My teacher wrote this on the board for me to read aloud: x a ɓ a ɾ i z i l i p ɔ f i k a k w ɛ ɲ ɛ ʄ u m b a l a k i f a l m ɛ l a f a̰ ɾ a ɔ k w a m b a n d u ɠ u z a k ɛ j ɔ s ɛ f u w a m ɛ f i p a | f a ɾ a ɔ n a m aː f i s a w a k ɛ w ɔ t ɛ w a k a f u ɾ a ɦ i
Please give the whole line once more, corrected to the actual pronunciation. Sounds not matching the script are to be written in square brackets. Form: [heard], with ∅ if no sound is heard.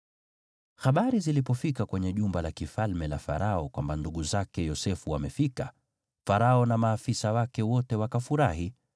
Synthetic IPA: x a ɓ a ɾ i z i l i p ɔ f i k a k w ɛ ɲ ɛ ʄ u m b a l a k i f a l m ɛ l a f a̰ ɾ a ɔ k w a m b a n d u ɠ u z a k ɛ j ɔ s ɛ f u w a m ɛ f i [k] a | f a ɾ a ɔ n a m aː f i s a w a k ɛ w ɔ t ɛ w a k a f u ɾ a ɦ i